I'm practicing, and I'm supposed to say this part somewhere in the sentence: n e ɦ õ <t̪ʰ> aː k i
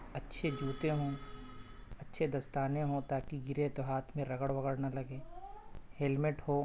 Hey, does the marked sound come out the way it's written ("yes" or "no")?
no